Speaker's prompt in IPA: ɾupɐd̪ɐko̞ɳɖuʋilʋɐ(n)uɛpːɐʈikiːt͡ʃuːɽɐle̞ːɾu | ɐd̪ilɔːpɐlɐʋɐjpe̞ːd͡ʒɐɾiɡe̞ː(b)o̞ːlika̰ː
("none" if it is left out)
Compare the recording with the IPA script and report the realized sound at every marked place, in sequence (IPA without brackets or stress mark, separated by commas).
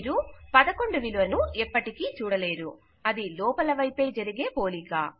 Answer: n, p